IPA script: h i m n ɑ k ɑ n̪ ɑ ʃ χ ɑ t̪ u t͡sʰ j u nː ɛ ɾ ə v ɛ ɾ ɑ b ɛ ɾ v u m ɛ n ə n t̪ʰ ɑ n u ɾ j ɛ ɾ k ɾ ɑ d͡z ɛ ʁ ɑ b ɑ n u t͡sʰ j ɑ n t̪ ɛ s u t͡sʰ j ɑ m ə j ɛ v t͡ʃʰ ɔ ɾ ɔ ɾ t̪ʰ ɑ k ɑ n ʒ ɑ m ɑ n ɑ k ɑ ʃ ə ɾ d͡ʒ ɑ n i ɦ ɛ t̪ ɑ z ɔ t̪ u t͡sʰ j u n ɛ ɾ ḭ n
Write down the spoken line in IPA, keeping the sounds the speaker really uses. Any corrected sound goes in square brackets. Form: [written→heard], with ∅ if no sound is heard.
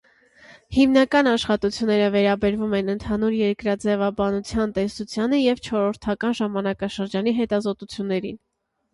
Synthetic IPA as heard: h i m n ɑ k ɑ n̪ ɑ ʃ χ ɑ t̪ u t͡sʰ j u nː ɛ ɾ ə v ɛ ɾ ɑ b ɛ ɾ v u m ɛ n ə n t̪ʰ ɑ n u ɾ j ɛ ɾ k ɾ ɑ d͡z ɛ [ʁ→v] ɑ b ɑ n u t͡sʰ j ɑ n t̪ ɛ s u t͡sʰ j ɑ [m→n] ə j ɛ v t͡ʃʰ ɔ ɾ ɔ ɾ t̪ʰ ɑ k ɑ n ʒ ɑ m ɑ n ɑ k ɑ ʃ ə ɾ d͡ʒ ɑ n i ɦ ɛ t̪ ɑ z ɔ t̪ u t͡sʰ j u [n→nː] ɛ ɾ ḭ n